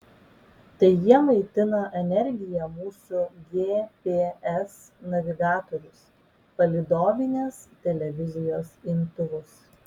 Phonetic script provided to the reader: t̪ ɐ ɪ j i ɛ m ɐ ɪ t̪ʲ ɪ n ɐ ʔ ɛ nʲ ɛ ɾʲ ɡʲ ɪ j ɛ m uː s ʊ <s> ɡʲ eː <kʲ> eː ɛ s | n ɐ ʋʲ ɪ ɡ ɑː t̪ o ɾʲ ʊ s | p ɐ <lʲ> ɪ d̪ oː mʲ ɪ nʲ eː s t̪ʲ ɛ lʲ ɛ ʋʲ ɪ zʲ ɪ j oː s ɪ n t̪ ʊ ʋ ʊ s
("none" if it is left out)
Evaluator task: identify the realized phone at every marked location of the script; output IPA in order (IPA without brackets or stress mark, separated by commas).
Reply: none, pʲ, lʲ